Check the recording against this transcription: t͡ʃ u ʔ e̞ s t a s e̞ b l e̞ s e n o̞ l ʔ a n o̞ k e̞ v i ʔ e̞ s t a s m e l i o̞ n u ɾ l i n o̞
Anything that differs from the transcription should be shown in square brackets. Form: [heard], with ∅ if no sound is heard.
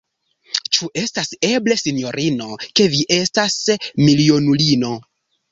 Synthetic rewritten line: t͡ʃ u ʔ e̞ s t a s e̞ b l e̞ s [i] n o̞ [ɾ] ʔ [i] n o̞ k e̞ v i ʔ e̞ s t a s m [i] l i o̞ n u [∅] l i n o̞